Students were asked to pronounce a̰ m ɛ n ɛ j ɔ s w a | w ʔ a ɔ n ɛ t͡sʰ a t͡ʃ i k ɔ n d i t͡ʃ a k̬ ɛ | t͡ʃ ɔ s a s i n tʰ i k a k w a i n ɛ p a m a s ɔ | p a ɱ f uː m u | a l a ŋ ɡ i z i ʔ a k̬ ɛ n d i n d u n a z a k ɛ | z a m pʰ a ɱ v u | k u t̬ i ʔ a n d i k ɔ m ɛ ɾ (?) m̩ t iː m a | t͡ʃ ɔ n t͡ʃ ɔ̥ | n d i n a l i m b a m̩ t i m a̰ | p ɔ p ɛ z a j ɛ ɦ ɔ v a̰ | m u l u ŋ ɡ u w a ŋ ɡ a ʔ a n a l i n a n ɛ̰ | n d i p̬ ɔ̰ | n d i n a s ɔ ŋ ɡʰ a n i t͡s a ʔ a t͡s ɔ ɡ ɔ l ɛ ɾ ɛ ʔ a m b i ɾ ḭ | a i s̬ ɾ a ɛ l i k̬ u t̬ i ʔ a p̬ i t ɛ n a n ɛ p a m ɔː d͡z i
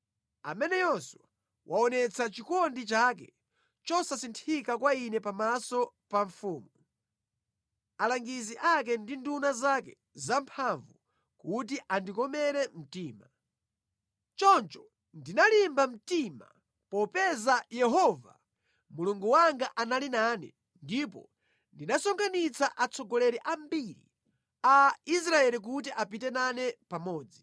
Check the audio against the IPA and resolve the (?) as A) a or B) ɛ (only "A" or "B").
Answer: B